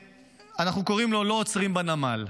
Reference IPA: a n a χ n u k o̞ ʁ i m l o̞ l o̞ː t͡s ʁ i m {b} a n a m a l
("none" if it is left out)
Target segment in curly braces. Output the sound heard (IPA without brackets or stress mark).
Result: b